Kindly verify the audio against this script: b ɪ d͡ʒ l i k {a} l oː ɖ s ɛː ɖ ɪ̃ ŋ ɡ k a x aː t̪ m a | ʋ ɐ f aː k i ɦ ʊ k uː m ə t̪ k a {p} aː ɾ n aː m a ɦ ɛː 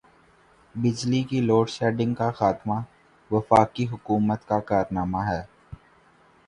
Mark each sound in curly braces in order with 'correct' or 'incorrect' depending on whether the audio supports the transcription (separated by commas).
incorrect, incorrect